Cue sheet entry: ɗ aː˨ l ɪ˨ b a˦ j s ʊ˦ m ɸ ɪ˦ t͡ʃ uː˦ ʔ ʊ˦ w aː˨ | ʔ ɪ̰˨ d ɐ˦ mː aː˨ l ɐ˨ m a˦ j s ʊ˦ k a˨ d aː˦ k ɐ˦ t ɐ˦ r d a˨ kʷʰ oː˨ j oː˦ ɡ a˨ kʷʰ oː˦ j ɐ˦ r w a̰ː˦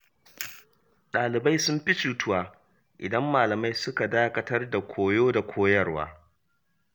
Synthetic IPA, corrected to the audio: ɗ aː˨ l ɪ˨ b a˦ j s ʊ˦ m ɸ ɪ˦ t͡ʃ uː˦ t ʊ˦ w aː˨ | ʔ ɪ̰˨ d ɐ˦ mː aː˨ l ɐ˨ m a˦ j s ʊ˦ k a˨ d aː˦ k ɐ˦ t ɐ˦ r d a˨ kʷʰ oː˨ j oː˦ d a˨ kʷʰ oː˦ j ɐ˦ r w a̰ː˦